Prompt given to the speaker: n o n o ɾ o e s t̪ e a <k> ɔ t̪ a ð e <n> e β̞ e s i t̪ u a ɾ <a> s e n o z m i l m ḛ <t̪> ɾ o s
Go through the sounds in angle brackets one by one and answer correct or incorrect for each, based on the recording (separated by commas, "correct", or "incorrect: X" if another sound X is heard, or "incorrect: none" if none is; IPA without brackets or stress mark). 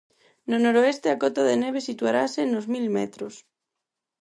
correct, correct, correct, correct